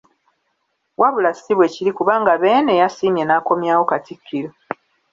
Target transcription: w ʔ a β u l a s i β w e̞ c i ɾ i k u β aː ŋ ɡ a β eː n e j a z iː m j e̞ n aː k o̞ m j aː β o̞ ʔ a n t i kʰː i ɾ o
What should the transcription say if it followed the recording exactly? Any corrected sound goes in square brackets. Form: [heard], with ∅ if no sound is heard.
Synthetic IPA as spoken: w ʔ a β u l a s i β w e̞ c i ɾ i k u β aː ŋ ɡ a β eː n e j a [s] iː m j e̞ n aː k o̞ m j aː [w] o̞ [k] a [∅] t i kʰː i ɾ o